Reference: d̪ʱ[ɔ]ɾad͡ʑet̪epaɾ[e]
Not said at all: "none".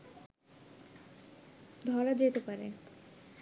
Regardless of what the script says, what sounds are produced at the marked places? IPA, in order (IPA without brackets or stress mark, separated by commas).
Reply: ɔ, e